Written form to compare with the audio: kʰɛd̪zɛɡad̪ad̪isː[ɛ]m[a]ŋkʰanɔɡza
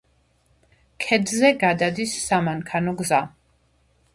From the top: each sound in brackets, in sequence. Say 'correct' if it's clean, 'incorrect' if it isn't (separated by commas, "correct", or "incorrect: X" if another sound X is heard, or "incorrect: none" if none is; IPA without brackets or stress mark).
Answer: incorrect: a, correct